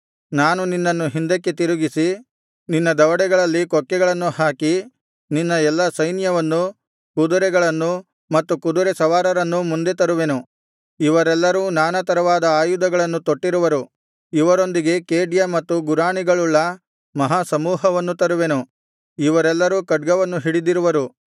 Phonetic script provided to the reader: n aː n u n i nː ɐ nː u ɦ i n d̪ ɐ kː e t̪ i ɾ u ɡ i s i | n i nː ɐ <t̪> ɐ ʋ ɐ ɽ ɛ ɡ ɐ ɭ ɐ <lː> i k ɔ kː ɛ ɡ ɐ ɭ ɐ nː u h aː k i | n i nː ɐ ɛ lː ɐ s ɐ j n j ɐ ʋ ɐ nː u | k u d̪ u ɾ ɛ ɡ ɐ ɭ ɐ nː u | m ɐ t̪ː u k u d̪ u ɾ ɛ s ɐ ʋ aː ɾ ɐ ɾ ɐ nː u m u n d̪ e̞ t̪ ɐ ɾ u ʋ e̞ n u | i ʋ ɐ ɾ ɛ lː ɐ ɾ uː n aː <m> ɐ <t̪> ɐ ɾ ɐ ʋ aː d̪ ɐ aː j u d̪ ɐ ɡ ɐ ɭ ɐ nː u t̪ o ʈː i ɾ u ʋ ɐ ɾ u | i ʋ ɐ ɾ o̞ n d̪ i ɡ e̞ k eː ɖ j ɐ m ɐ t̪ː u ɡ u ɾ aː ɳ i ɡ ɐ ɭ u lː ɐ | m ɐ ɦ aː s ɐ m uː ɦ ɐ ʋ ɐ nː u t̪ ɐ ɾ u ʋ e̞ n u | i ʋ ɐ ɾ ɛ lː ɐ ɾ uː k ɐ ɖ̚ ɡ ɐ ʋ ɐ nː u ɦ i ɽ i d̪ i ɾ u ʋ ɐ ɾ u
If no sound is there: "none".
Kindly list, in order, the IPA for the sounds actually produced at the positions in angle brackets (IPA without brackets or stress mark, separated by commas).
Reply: d̪, lː, n, t̪